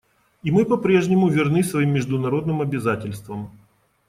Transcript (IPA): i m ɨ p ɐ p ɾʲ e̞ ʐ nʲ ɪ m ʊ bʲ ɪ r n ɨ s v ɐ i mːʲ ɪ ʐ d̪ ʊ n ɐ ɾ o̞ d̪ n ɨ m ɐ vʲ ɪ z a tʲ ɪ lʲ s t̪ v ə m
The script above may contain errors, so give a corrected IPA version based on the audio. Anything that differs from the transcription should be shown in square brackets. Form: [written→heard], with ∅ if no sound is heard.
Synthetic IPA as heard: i m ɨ p ɐ p ɾʲ e̞ ʐ nʲ ɪ m ʊ [bʲ→vʲ] ɪ r n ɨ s v ɐ i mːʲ ɪ ʐ d̪ ʊ n ɐ ɾ o̞ d̪ n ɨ m ɐ [vʲ→bʲ] ɪ z a tʲ ɪ lʲ s t̪ v ə m